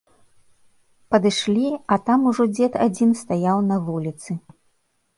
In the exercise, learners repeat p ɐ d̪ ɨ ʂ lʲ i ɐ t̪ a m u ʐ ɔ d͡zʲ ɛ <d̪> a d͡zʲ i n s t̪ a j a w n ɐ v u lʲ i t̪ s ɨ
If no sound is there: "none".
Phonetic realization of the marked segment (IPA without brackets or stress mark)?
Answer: t̪